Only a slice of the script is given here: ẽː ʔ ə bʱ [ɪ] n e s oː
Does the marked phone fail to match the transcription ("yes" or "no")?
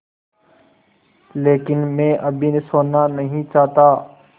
yes